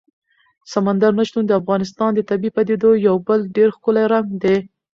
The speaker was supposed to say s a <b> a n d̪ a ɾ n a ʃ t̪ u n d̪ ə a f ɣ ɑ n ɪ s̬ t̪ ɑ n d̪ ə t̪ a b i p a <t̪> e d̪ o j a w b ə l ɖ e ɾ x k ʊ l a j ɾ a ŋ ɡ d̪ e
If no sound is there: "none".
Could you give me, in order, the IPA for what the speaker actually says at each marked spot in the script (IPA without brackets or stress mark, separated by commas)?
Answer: m, d̪